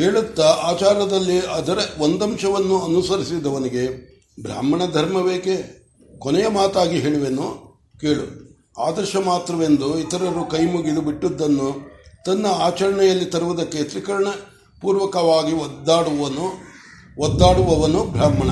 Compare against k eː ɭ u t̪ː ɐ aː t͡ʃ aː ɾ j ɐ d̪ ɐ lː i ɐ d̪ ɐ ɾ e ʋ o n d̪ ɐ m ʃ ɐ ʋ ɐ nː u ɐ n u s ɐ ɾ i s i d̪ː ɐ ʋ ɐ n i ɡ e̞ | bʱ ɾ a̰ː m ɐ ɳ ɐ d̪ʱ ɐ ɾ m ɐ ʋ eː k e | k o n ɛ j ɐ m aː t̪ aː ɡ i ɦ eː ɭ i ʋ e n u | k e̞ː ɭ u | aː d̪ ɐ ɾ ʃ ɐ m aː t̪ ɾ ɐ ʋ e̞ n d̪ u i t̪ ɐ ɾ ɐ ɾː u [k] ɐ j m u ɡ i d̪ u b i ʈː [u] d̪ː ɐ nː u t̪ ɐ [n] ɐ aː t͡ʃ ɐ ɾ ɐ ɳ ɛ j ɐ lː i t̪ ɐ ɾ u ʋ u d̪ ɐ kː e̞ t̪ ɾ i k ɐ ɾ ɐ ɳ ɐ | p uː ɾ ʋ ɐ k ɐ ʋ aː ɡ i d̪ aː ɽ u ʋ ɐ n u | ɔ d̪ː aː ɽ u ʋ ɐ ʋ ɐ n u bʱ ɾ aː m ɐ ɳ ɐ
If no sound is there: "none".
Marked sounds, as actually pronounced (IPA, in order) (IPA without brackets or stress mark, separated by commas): k, u, nː